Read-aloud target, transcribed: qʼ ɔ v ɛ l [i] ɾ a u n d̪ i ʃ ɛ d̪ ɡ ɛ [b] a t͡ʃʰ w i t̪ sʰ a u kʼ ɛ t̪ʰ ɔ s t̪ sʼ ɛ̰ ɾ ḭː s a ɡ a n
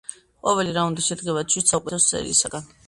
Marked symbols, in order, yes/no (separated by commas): yes, no